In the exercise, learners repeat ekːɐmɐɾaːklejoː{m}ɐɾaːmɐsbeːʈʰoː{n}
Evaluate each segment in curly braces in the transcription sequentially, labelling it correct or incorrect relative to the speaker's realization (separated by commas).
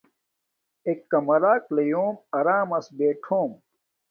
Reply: correct, incorrect